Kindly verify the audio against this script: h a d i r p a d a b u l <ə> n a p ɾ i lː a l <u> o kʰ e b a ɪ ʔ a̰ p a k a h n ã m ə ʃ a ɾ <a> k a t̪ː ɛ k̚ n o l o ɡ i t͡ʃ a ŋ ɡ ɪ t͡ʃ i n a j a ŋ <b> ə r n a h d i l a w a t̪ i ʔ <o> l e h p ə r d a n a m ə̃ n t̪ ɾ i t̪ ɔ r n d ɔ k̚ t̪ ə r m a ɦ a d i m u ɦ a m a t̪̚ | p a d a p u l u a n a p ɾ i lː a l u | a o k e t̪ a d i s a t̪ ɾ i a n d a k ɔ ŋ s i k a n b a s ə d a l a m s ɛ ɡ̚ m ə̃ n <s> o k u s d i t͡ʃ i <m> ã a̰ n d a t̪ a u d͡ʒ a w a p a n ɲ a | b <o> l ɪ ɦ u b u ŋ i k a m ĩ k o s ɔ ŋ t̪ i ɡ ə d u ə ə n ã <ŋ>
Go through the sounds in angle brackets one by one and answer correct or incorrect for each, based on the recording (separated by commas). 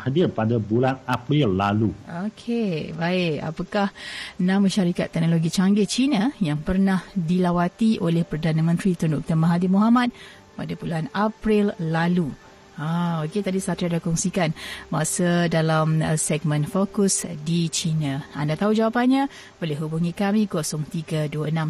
incorrect, correct, incorrect, incorrect, correct, incorrect, incorrect, correct, incorrect